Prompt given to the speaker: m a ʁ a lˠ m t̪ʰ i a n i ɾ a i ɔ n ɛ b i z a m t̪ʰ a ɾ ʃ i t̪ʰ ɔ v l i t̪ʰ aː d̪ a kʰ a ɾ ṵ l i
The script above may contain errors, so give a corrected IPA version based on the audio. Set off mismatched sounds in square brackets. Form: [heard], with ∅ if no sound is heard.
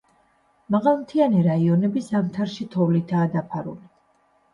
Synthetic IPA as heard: m a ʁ a lˠ m t̪ʰ i a n i ɾ a i ɔ n ɛ b i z a m t̪ʰ a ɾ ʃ i t̪ʰ ɔ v l i t̪ʰ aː d̪ a [pʰ] a ɾ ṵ l i

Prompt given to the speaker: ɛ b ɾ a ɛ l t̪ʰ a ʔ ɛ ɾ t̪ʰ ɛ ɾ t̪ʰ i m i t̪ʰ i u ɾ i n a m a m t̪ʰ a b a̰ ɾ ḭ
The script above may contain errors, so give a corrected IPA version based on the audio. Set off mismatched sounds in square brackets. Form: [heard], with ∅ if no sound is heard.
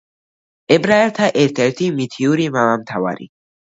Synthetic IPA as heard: ɛ b ɾ a ɛ l t̪ʰ a ʔ ɛ ɾ t̪ʰ ɛ ɾ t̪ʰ i m i t̪ʰ i u ɾ i [m] a m a m t̪ʰ a [v] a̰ ɾ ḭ

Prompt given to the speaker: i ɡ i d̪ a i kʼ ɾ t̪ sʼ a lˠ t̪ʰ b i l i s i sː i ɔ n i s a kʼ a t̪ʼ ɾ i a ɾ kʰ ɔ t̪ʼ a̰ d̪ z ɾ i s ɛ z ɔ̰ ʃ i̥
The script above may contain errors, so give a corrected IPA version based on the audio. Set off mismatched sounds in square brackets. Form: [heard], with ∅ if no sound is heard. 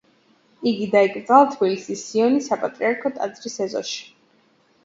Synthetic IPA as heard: i ɡ i d̪ a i kʼ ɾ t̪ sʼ a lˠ t̪ʰ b i l i s i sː i ɔ n i s a [pʼ] a t̪ʼ ɾ i a ɾ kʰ ɔ t̪ʼ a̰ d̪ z ɾ i s ɛ z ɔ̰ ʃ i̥

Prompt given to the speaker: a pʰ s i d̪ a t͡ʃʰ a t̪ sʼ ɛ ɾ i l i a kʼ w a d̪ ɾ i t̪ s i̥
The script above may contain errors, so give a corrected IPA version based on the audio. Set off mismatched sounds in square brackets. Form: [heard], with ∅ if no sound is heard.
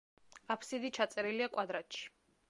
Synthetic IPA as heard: a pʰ s i d̪ [i] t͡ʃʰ a t̪ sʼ ɛ ɾ i l i a kʼ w a d̪ ɾ [a] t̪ [ʃ] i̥

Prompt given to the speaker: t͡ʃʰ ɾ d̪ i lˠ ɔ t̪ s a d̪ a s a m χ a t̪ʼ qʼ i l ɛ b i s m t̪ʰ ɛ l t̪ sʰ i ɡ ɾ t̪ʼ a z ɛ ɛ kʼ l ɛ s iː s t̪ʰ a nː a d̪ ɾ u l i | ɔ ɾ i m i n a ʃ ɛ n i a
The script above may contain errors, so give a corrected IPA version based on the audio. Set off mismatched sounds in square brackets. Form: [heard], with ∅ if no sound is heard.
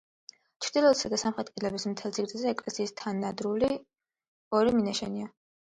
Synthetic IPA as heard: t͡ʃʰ ɾ d̪ i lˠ ɔ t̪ s a d̪ a s a m χ [ɛ] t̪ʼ qʼ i l ɛ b i s m t̪ʰ ɛ l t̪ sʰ i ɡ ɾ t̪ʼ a z ɛ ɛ kʼ l ɛ s iː s t̪ʰ a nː a d̪ ɾ u l i | ɔ ɾ i m i n a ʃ ɛ n i a

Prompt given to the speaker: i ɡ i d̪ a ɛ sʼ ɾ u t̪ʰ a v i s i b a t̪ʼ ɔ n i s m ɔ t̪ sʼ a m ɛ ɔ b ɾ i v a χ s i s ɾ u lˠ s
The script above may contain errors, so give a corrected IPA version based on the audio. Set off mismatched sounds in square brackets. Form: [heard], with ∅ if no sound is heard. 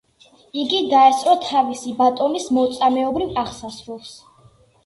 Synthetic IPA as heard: i ɡ i d̪ a ɛ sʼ ɾ [ɔ] t̪ʰ a v i s i b a t̪ʼ ɔ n i s m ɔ t̪ sʼ a m ɛ ɔ b ɾ i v a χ s [a] s ɾ u lˠ s

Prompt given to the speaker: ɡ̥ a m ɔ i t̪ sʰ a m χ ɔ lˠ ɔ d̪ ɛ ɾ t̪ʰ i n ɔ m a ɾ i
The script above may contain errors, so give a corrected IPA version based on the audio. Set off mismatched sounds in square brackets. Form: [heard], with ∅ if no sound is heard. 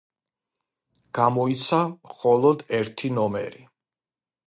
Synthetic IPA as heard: ɡ̥ a m ɔ i t̪ sʰ a m χ ɔ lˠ ɔ d̪ ɛ ɾ t̪ʰ i n ɔ m [ɛ] ɾ i

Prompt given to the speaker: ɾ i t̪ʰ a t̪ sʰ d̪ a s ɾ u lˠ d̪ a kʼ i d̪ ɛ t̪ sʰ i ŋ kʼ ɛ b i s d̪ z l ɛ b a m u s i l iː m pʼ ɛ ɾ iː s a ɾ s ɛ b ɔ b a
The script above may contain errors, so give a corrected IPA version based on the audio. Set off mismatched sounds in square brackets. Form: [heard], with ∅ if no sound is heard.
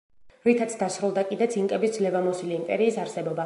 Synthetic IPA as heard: ɾ i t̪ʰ a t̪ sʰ d̪ a s ɾ u lˠ d̪ a kʼ i d̪ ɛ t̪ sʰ i ŋ kʼ ɛ b i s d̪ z l ɛ [v] a m [ɔ] s i l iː m pʼ ɛ ɾ iː s a ɾ s ɛ b ɔ b a

